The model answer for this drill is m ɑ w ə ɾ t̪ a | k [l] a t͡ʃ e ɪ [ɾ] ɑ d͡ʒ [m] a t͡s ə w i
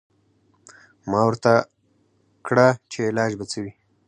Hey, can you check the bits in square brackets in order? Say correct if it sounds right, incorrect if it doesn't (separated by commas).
incorrect, incorrect, incorrect